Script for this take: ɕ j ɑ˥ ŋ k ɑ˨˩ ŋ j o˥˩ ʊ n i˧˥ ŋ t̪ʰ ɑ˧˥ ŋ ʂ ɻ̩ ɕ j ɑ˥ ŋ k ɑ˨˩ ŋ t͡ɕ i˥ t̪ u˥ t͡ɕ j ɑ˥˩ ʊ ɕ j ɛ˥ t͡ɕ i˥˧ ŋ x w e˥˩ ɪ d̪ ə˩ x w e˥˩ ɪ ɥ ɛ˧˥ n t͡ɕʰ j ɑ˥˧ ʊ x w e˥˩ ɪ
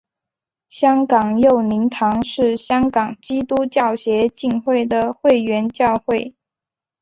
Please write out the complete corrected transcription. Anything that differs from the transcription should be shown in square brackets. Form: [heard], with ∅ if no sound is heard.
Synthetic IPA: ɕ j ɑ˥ ŋ k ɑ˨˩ ŋ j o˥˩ ʊ n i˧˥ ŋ t̪ʰ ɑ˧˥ ŋ ʂ ɻ̩ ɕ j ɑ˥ ŋ k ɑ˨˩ ŋ t͡ɕ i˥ t̪ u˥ t͡ɕ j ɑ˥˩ ʊ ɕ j [ɛ˧˥] t͡ɕ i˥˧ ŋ x w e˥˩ ɪ d̪ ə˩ x w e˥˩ ɪ ɥ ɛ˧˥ n [t͡ɕ] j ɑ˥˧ ʊ x w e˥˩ ɪ